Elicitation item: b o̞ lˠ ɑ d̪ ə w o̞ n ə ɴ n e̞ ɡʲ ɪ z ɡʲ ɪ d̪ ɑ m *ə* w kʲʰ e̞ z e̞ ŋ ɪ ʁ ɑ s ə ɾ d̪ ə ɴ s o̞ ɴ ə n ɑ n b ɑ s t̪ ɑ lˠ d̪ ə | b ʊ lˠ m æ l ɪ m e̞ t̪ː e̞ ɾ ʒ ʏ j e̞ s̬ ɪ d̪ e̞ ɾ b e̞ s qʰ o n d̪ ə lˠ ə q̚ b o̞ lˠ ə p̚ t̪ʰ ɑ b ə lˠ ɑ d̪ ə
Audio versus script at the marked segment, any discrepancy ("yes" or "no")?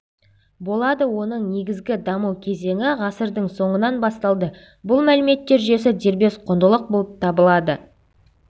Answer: no